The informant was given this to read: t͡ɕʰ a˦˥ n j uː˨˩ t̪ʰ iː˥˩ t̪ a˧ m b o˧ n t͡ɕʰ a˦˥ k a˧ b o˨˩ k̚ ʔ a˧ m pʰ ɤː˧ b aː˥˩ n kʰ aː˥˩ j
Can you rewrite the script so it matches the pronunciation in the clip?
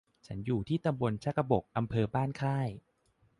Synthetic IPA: t͡ɕʰ a˦˥ n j uː˨˩ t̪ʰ iː˥˩ t̪ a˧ m b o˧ n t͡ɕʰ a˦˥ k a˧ b o˨˩ k̚ ʔ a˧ m pʰ ɤː˧ b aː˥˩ n kʰ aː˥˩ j